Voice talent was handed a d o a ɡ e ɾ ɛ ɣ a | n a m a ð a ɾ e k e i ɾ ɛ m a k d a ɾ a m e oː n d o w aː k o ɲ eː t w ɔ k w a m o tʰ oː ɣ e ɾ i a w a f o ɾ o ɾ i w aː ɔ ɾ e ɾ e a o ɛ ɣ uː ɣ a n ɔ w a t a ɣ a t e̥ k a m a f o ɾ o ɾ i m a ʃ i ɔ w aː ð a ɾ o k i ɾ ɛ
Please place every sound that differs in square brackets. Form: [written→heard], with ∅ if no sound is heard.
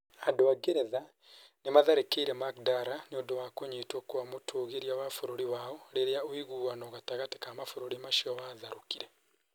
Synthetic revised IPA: a d o a ɡ e ɾ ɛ [ɣ→ð] a | n [a→e] m a ð a ɾ e k e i ɾ ɛ m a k d a ɾ a [m→n] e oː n d o w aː k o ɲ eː t w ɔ k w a m o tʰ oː ɣ e ɾ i a w a f o ɾ o ɾ i w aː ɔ ɾ e ɾ e a o [ɛ→i] ɣ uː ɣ a n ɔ [w→ɣ] a t a ɣ a t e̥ k a m a f o ɾ o ɾ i m a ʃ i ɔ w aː ð a ɾ o k i ɾ ɛ